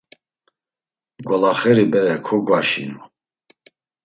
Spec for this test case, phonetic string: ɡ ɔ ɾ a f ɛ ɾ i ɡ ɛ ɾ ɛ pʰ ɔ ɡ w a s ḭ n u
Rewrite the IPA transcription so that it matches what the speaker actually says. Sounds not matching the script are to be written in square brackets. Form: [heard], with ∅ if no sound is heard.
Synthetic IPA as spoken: ɡ ɔ [l] a [χ] ɛ ɾ i [b] ɛ ɾ ɛ [kʰ] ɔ ɡ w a [ʃ] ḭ n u